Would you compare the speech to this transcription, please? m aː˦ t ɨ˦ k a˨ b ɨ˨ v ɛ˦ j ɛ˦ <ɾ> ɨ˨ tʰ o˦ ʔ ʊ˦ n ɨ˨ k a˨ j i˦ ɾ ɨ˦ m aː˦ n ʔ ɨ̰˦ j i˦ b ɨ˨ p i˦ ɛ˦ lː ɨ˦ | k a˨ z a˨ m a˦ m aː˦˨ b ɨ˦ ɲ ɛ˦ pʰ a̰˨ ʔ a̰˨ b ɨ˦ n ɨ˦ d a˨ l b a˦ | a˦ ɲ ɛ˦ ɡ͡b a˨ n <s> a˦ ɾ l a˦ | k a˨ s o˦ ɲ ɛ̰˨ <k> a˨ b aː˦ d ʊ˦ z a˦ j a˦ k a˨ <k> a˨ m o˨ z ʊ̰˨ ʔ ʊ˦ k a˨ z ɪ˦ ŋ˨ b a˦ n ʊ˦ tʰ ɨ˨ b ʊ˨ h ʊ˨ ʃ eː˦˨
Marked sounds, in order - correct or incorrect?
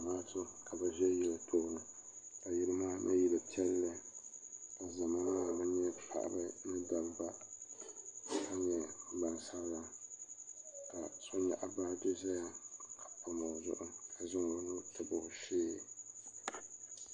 incorrect: l, correct, incorrect: ʔ, incorrect: p

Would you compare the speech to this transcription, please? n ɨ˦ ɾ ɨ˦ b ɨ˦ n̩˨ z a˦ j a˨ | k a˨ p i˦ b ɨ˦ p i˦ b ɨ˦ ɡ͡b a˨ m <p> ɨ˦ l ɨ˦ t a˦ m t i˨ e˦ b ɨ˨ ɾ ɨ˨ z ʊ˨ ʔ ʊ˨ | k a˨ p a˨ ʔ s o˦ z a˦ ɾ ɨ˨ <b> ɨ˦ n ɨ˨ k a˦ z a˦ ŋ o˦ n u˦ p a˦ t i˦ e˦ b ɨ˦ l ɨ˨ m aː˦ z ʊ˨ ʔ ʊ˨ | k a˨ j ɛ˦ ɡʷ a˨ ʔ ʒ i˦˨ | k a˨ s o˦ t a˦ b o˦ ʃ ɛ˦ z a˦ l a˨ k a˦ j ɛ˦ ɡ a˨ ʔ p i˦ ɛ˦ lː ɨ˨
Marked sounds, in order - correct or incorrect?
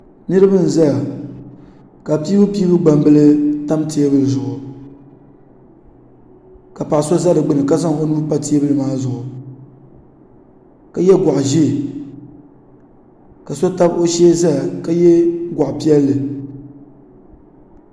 incorrect: b, incorrect: ɡ͡b

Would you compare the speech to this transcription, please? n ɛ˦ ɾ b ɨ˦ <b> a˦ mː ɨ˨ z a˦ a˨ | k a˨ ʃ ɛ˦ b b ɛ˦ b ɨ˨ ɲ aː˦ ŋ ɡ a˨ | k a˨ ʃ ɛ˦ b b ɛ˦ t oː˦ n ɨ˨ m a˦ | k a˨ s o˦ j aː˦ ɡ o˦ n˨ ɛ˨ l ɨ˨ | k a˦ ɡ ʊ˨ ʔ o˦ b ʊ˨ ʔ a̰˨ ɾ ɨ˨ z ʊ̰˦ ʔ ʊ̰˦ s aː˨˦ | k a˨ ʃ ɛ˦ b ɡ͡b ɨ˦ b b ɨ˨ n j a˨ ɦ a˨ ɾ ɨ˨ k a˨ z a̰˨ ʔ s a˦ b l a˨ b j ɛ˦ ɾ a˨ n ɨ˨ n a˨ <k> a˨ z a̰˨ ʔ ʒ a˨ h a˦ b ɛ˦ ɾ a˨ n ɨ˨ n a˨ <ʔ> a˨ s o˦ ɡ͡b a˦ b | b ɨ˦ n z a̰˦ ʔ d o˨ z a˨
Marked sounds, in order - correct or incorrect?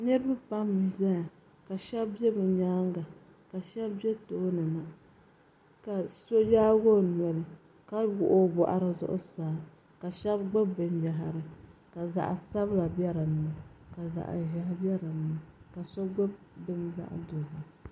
incorrect: p, correct, incorrect: k

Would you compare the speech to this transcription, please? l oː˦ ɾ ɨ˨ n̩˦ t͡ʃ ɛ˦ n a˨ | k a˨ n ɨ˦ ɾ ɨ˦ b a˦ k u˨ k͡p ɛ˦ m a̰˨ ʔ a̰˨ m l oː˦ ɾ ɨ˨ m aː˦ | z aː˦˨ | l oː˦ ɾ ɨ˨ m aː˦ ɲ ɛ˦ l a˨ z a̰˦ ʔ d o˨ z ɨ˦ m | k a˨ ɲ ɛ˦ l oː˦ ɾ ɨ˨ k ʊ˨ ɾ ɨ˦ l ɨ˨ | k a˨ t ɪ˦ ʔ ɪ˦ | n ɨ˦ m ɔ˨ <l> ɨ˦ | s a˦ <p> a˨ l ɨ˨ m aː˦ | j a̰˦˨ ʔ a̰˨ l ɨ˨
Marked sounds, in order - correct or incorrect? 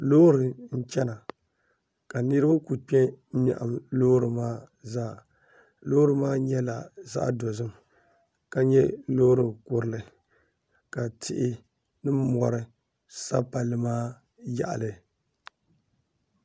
incorrect: ɾ, correct

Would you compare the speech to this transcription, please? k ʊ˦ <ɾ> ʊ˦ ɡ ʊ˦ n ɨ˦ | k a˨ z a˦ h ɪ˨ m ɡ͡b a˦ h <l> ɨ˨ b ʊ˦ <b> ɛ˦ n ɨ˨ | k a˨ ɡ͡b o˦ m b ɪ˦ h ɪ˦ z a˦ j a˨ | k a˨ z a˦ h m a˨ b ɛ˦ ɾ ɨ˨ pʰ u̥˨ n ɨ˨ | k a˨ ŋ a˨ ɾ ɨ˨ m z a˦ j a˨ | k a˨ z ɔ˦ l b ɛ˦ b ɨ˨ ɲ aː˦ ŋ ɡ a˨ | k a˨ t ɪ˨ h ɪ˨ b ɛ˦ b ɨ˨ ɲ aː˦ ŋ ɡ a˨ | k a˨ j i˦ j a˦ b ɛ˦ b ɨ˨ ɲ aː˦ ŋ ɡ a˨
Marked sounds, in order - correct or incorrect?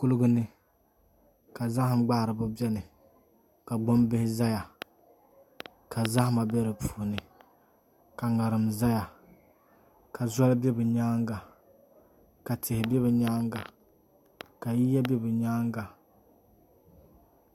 incorrect: l, incorrect: ɾ, correct

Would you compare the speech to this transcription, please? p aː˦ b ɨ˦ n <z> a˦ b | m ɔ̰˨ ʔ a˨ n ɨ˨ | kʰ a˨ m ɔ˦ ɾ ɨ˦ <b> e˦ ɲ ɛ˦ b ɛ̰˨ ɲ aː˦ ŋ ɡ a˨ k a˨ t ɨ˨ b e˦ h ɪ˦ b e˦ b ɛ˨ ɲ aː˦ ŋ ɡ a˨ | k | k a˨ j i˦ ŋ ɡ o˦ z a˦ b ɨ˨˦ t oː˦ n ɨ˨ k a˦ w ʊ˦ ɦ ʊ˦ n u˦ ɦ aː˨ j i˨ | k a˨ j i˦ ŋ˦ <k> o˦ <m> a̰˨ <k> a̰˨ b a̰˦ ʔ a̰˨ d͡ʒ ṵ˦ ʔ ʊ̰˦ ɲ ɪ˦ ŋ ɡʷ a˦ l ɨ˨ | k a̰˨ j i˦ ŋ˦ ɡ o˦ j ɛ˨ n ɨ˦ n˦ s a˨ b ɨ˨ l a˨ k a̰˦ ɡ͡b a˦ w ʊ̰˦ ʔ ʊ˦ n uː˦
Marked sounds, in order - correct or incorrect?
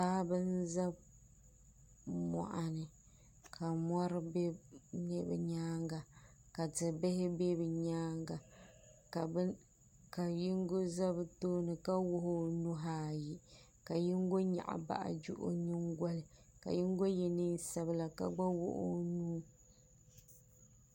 correct, correct, incorrect: ɡ, incorrect: ɲ, incorrect: ʔ

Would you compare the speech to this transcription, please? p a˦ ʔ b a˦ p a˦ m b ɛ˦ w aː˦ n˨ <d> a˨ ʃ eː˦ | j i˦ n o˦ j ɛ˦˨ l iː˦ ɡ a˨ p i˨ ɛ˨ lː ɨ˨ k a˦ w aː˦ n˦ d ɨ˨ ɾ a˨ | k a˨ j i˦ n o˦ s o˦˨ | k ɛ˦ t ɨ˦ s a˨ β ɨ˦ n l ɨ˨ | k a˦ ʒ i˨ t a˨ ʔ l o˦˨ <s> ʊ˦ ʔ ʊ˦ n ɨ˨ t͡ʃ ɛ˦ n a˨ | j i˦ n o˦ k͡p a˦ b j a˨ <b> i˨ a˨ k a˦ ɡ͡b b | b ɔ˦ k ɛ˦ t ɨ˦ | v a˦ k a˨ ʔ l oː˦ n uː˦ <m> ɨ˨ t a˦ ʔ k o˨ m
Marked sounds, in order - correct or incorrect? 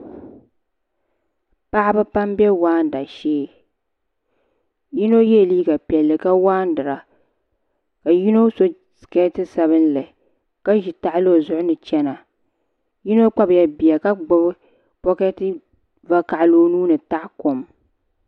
correct, incorrect: z, correct, incorrect: n

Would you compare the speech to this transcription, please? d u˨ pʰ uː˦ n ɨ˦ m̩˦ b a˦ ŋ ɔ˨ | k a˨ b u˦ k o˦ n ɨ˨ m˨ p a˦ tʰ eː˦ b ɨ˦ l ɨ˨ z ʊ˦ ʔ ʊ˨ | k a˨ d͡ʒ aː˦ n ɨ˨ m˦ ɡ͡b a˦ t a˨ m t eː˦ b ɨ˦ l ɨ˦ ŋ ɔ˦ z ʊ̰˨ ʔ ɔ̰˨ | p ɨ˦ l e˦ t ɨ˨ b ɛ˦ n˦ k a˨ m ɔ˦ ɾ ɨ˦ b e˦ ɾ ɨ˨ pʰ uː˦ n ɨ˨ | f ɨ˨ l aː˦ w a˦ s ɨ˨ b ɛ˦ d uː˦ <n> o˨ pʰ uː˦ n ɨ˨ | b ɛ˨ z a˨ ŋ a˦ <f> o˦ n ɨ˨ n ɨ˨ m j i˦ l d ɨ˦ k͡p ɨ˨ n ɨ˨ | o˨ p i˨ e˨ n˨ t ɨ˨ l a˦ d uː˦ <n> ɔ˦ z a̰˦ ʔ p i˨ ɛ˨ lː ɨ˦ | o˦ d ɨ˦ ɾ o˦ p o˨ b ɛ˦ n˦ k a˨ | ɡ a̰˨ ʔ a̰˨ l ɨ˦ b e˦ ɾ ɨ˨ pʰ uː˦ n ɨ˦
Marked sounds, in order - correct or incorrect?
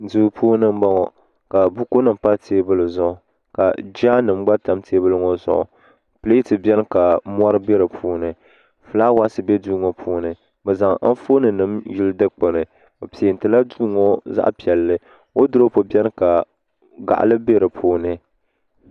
incorrect: ŋ, correct, incorrect: ŋ

